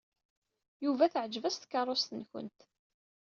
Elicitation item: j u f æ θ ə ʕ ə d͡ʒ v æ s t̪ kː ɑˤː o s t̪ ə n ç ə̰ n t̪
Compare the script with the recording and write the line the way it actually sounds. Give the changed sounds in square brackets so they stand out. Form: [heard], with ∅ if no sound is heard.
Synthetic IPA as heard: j u [v] æ θ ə ʕ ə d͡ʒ v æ s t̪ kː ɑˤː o s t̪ ə n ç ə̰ n t̪